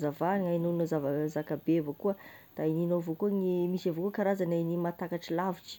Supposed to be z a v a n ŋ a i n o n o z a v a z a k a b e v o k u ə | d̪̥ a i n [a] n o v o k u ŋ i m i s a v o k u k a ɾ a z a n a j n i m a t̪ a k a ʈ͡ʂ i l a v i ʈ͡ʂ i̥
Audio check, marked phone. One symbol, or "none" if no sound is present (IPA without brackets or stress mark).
i